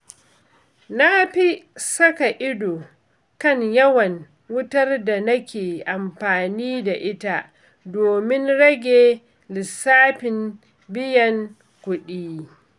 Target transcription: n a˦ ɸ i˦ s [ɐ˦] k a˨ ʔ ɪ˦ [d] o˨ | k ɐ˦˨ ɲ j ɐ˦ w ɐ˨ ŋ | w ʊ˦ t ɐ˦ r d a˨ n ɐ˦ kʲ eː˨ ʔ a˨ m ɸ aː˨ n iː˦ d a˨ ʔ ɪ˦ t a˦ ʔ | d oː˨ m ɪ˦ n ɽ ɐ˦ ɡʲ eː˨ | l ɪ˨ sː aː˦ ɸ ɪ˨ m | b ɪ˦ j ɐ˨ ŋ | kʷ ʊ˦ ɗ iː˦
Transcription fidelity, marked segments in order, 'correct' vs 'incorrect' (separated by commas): correct, correct